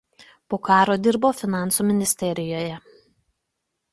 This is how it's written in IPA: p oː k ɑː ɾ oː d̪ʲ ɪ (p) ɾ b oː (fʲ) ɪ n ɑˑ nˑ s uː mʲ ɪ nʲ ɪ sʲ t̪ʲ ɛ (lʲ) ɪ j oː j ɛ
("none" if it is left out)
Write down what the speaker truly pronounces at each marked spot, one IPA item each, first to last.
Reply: none, fʲ, ɾʲ

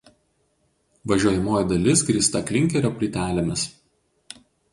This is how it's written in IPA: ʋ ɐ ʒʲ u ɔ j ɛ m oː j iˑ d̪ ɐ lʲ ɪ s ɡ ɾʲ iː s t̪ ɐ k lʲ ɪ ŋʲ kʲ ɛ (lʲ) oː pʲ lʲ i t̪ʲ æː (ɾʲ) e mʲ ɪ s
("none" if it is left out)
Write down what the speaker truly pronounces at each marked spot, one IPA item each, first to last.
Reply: ɾʲ, lʲ

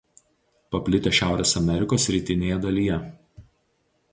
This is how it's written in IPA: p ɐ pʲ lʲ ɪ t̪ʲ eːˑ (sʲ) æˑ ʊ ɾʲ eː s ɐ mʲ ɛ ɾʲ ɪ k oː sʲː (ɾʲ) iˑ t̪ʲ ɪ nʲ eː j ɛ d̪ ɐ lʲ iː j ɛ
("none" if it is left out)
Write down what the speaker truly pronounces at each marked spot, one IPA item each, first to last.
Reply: ʃʲ, ɾʲ

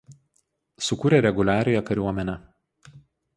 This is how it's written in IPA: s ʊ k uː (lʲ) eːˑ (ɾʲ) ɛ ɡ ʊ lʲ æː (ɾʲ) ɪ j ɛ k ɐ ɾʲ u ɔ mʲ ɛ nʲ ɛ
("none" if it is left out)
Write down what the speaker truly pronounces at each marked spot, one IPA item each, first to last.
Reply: ɾʲ, ɾʲ, ɾʲ

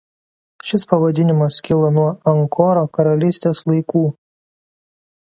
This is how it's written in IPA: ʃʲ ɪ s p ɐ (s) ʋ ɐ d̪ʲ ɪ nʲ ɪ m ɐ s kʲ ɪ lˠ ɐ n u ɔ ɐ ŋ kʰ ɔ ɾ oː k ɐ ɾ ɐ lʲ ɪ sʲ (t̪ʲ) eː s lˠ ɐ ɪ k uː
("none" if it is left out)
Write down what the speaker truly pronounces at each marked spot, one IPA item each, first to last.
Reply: none, t̪ʲ

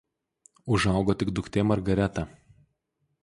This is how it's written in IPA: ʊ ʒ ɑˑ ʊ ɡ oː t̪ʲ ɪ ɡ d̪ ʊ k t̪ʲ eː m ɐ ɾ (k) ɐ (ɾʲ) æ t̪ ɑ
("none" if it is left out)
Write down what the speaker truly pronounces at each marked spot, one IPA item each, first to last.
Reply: ɡ, ɾʲ

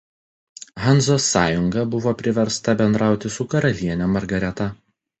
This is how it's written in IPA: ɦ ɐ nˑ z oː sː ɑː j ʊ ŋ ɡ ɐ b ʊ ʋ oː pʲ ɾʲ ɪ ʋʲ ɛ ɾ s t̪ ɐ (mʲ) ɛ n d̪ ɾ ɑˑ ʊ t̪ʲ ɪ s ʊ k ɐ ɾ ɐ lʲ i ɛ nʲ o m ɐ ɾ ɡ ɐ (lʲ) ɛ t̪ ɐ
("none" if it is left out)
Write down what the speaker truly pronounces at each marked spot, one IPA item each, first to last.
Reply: bʲ, ɾʲ

